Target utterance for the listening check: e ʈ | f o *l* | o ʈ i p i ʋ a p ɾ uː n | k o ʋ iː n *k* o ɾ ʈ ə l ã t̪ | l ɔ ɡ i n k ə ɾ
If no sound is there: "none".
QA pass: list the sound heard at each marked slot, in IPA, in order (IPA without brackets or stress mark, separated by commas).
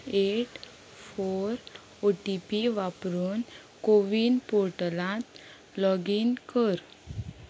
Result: ɾ, p